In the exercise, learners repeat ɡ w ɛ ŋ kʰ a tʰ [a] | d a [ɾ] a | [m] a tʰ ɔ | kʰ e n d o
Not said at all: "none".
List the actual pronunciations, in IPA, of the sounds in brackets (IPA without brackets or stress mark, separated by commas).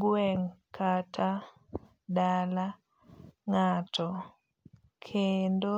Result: a, l, ŋ